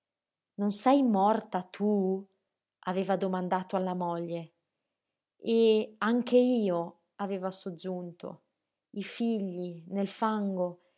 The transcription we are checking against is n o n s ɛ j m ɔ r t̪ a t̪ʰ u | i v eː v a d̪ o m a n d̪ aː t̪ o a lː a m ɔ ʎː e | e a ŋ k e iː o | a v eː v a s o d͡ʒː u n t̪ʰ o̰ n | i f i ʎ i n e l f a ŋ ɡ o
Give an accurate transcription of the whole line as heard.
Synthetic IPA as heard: n o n s ɛ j m ɔ r t̪ a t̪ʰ u | a v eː v a d̪ o m a n d̪ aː t̪ o a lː a m ɔ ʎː e | e a ŋ k e iː o | a v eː v a s o d͡ʒː u n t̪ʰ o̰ | i f i ʎː i n e l f a ŋ ɡ o